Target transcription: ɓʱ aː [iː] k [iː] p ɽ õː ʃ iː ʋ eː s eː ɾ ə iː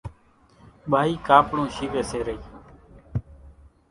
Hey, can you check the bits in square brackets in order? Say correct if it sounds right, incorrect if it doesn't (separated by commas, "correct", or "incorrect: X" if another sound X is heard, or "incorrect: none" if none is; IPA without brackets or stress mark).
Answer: correct, incorrect: aː